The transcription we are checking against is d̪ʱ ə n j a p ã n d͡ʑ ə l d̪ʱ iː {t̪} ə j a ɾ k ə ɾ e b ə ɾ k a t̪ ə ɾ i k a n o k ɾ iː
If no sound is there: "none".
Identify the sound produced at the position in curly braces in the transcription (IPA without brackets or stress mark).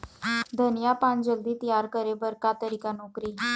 t̪